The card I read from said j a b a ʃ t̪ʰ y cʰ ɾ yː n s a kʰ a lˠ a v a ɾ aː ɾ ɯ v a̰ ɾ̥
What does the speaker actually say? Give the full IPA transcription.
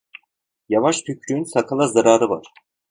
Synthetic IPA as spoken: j a v a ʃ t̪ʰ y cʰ ɾ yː n s a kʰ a lˠ a z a ɾ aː ɾ ɯ v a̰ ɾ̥